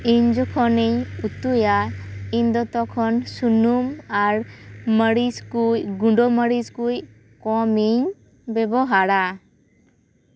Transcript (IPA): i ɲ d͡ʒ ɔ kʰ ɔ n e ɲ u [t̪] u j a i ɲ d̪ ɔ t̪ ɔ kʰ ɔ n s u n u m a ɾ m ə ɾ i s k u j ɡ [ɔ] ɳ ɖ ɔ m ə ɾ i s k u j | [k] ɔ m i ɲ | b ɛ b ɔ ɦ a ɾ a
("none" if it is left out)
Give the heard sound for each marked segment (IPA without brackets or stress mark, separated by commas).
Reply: t̪, u, k